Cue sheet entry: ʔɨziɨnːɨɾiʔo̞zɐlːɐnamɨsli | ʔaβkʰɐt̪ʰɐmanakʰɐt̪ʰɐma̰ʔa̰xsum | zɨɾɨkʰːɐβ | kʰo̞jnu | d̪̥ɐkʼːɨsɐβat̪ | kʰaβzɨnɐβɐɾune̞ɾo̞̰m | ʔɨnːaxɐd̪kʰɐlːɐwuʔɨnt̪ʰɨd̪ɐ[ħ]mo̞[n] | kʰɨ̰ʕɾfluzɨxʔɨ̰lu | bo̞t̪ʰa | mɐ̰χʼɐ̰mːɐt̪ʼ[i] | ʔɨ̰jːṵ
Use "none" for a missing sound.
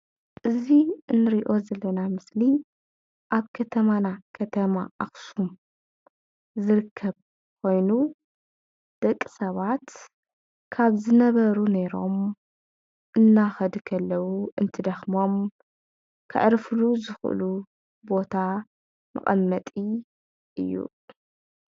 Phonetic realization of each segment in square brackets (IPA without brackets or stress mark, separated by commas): x, m, i